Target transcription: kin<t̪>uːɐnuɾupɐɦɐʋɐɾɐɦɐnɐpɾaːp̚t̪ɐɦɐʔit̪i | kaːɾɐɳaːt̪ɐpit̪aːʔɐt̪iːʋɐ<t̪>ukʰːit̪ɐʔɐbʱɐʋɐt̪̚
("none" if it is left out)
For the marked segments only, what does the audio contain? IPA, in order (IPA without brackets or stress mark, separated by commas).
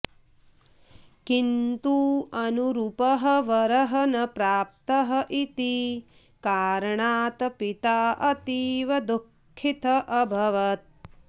t̪, d̪